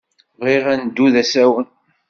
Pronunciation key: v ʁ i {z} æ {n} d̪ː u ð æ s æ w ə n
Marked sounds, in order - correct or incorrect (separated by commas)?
incorrect, correct